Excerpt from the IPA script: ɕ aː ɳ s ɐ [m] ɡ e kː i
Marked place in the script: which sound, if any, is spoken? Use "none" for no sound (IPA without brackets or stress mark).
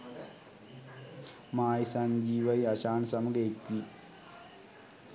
m